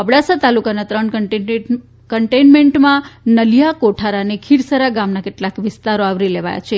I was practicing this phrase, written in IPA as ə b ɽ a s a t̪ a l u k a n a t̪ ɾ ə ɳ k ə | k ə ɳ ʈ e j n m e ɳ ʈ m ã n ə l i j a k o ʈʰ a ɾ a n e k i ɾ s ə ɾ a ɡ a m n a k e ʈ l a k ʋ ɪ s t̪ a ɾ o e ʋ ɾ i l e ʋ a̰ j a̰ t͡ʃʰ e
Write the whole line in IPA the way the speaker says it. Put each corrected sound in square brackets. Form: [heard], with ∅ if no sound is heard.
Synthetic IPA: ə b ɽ a s a t̪ a l u k a n a t̪ ɾ ə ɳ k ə | k ə ɳ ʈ e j n m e ɳ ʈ m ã n ə l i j a k o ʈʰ a ɾ a n e [kʰ] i ɾ s ə ɾ a ɡ a m n a k e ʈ l a k ʋ ɪ s t̪ a ɾ o [a] ʋ ɾ i l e ʋ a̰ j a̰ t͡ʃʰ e